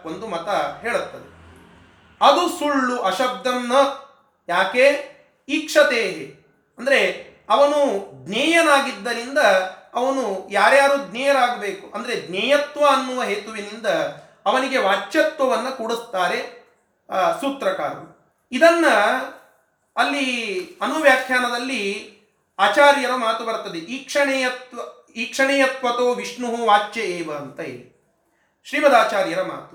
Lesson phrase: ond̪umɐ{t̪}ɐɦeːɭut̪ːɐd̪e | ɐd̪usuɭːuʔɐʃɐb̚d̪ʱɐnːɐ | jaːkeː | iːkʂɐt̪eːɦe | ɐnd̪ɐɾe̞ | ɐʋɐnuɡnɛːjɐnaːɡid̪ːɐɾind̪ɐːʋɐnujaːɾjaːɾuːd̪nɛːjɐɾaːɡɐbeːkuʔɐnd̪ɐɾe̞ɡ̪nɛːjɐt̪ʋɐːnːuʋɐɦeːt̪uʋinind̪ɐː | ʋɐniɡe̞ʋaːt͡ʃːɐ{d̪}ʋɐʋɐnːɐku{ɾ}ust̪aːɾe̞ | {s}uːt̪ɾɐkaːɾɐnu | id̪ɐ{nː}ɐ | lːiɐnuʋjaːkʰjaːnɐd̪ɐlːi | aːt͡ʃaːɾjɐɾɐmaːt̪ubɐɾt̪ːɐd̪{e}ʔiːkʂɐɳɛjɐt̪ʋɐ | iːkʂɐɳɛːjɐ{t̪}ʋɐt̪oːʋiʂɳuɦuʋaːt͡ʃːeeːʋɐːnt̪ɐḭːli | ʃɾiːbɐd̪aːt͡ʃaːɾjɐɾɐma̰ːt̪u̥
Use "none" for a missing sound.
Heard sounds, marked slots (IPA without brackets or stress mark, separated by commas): t̪, t̪, ɽ, s, nː, e, t̪